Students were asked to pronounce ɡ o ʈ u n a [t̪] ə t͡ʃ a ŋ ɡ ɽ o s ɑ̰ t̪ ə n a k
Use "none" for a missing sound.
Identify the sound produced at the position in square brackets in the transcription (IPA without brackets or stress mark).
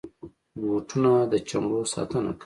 d̪